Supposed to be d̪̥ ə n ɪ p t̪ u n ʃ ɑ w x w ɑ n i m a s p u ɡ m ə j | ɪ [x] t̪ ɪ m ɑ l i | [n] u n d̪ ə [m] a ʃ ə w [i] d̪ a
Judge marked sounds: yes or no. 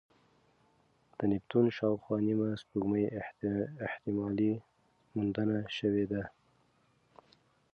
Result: no, no, no, no

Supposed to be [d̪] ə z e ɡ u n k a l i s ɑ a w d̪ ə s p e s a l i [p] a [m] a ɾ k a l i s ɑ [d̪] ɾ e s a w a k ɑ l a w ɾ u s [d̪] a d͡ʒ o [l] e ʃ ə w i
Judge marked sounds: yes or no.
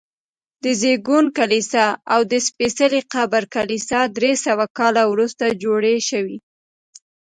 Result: yes, no, no, yes, no, no

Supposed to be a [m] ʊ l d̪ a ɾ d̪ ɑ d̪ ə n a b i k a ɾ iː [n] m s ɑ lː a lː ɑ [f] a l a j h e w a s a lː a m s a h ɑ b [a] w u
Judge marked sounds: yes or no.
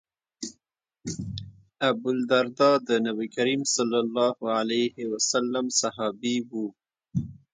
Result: no, no, no, no

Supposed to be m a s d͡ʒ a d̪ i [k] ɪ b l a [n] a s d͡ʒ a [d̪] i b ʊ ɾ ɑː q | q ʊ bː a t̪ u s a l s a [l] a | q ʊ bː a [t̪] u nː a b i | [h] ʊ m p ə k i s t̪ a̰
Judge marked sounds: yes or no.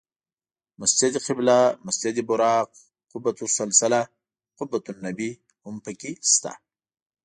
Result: no, no, yes, yes, yes, yes

